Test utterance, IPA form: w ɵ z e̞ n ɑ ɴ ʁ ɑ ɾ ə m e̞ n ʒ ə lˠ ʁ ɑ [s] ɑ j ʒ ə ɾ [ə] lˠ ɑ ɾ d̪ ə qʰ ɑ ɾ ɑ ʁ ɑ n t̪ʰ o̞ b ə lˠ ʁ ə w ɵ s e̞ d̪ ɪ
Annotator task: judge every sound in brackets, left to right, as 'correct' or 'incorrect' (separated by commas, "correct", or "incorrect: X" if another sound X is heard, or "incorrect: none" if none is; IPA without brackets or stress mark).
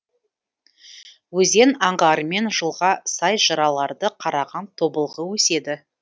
correct, incorrect: ɑ